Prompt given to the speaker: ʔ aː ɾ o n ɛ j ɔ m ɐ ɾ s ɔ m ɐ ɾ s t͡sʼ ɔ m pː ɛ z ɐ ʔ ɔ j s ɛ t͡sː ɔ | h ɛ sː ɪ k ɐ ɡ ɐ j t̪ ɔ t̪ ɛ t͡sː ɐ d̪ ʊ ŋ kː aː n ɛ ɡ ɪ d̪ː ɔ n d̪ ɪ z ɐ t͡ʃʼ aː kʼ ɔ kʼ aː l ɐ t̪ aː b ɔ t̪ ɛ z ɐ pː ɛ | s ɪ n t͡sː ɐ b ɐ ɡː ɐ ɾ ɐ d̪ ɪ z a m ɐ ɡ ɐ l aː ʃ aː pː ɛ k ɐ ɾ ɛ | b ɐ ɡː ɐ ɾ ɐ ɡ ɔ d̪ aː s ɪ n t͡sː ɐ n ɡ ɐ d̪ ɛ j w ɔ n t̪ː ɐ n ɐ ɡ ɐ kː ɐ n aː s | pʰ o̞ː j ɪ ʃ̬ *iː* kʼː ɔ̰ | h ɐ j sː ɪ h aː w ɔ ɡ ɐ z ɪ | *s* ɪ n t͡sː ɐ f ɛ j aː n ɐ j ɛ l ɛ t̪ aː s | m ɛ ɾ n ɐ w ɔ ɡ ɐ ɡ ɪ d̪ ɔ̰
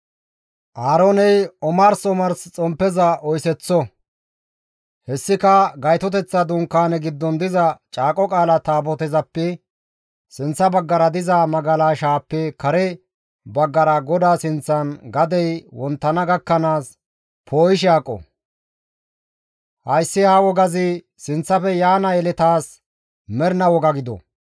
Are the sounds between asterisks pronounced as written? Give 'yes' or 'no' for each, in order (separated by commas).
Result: no, yes